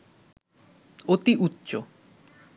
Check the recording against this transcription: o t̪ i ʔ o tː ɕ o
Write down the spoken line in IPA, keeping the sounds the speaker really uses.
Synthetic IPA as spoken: o t̪ i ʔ u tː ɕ o